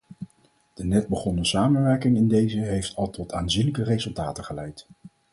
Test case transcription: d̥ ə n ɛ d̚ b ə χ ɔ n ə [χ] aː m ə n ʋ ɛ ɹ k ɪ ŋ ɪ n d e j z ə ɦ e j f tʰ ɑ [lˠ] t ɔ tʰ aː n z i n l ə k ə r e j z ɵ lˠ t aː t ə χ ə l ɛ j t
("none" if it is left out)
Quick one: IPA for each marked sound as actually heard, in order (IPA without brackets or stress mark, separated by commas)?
s, lˠ